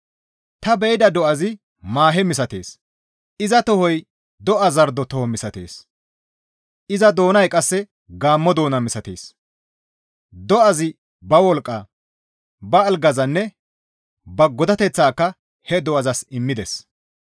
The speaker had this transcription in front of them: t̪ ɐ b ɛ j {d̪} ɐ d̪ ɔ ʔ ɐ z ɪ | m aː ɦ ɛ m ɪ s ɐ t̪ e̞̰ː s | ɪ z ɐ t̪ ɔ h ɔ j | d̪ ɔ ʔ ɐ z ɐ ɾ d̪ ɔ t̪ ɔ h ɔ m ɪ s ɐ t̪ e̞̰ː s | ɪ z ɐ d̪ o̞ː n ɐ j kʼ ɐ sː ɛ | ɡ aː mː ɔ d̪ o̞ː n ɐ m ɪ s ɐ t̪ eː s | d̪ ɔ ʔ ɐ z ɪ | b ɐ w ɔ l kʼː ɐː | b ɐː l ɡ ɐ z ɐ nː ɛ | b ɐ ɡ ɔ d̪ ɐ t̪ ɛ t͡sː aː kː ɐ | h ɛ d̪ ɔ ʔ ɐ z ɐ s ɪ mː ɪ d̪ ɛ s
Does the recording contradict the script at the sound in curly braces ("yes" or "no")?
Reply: no